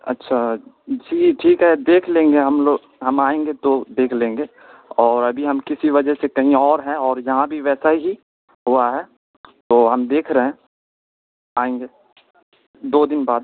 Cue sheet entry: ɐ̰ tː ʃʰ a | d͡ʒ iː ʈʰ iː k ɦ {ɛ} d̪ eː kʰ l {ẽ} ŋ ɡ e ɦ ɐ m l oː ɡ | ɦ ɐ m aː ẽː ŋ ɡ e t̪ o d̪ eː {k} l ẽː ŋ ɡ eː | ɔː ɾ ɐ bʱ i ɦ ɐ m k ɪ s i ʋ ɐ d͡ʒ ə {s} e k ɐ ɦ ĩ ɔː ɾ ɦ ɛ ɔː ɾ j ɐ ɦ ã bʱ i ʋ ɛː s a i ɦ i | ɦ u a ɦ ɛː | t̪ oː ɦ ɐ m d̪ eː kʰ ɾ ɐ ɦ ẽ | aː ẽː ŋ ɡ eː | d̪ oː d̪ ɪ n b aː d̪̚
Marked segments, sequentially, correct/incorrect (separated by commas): correct, incorrect, incorrect, correct